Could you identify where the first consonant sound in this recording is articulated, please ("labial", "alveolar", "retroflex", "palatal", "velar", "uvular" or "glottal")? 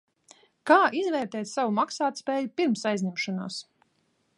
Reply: velar